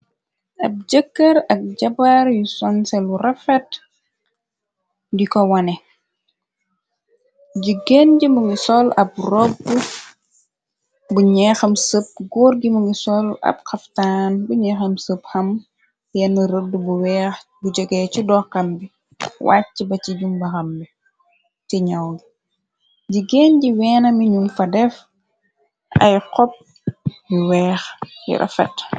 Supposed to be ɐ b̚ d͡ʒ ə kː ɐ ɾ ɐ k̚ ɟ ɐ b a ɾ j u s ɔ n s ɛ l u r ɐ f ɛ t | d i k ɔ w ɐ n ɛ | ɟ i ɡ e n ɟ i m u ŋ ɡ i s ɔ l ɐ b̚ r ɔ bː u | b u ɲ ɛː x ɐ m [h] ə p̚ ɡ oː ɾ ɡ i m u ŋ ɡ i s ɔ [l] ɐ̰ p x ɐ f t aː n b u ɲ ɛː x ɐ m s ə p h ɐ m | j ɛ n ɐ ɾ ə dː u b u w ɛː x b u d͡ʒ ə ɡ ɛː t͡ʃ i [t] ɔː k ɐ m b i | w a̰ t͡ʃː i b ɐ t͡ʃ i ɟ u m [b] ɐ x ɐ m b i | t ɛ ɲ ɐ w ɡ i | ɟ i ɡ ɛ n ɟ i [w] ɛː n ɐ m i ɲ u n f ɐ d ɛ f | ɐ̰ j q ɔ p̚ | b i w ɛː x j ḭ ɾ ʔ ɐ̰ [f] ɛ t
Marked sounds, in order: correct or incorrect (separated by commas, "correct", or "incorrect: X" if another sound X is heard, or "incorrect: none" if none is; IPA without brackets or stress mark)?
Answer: incorrect: s, correct, incorrect: d, correct, correct, correct